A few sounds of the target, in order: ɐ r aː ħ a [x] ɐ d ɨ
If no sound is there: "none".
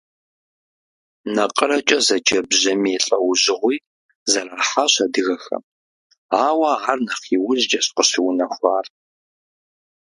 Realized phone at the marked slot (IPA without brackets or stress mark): ɕ